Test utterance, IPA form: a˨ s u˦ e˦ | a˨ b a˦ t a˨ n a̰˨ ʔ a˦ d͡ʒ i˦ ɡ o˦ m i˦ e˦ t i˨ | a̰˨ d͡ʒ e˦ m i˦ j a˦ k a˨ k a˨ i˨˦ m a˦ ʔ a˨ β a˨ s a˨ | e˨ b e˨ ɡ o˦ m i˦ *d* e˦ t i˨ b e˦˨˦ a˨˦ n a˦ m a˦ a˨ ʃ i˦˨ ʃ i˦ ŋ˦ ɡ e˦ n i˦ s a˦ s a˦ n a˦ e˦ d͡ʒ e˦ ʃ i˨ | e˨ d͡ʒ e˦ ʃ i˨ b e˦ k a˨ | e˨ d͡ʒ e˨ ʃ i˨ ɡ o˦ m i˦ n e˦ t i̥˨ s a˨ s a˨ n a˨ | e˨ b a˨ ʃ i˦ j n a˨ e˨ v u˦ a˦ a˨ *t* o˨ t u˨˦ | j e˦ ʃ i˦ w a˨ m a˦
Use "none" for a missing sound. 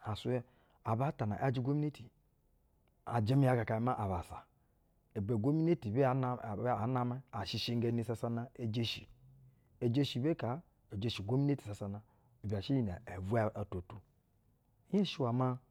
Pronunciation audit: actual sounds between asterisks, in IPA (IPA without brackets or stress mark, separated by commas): n, t